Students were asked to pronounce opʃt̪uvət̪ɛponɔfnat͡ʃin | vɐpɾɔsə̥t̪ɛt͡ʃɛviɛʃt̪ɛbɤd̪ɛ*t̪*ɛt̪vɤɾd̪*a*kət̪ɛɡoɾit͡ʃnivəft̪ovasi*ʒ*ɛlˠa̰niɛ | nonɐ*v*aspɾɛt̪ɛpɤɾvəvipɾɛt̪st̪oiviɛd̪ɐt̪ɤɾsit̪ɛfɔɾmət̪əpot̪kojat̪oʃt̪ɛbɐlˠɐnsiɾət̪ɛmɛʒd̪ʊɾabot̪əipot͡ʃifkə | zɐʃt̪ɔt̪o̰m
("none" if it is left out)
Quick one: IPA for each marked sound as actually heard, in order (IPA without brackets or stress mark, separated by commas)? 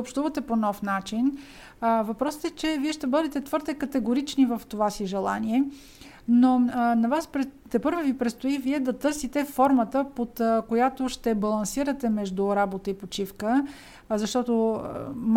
t̪, ɛ, ʒ, v